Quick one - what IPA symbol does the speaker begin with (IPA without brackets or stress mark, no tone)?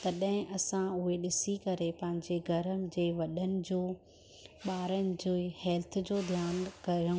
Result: t̪